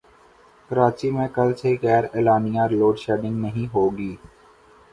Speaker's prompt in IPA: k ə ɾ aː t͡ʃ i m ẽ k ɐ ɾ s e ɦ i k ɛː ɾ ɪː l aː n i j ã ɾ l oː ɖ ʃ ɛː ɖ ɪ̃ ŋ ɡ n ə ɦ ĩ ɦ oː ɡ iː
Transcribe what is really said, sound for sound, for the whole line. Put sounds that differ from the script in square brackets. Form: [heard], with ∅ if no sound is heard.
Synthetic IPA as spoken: k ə ɾ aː t͡ʃ i m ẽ k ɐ [l] s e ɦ i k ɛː ɾ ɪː l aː n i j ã ɾ l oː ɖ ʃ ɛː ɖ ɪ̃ ŋ ɡ n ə ɦ ĩ ɦ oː ɡ iː